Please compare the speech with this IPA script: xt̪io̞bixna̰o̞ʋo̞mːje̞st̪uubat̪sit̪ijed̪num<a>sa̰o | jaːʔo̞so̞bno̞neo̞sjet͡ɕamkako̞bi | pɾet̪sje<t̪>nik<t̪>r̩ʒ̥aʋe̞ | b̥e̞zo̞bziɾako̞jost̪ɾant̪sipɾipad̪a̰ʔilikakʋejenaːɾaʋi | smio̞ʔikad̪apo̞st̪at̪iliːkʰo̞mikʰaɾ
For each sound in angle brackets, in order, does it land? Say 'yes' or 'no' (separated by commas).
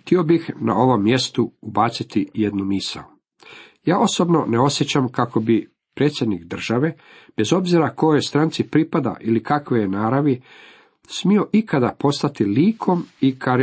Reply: no, no, no